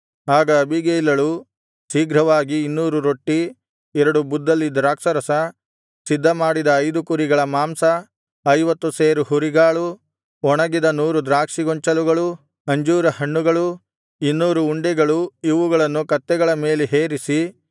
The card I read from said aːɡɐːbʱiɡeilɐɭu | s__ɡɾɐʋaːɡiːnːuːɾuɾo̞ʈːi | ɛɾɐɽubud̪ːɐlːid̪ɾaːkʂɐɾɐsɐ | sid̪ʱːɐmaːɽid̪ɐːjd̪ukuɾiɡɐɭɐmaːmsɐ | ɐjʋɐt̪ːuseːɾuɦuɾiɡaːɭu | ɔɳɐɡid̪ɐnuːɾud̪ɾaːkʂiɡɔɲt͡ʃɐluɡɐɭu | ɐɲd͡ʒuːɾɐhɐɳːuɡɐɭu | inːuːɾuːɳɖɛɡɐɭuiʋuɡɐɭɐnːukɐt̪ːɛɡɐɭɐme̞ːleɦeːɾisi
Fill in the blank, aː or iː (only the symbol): iː